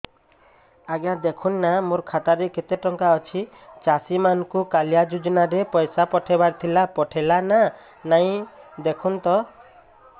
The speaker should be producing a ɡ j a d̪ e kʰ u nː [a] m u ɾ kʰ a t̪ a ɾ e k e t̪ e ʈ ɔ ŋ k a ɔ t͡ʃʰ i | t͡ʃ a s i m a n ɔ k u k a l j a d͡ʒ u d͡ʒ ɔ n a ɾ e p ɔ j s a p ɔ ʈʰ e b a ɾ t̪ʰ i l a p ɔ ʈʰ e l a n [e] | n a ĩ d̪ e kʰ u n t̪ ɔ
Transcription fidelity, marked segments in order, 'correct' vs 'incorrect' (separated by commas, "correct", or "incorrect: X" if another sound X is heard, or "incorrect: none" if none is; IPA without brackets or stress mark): correct, incorrect: a